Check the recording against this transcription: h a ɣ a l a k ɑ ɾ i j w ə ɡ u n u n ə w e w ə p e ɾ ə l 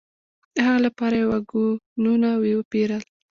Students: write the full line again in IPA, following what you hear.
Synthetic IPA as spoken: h a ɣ a l a p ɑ ɾ a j w a ɡ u n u n a w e w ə p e ɾ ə l